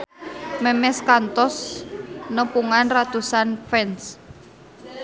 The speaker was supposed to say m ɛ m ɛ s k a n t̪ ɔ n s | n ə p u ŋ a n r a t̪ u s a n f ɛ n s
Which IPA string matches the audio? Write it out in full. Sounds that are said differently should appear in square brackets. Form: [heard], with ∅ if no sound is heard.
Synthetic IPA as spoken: m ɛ m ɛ s k a n t̪ ɔ [∅] s | n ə p u ŋ a n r a t̪ u s a n f ɛ n s